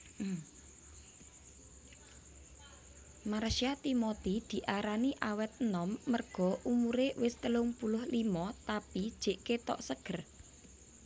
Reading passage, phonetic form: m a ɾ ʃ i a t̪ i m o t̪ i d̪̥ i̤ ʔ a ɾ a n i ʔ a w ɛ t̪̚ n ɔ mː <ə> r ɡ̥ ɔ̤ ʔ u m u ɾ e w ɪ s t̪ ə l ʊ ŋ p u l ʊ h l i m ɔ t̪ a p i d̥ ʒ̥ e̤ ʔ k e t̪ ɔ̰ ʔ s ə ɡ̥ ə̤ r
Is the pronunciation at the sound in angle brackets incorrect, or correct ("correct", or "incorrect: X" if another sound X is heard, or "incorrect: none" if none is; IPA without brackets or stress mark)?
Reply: correct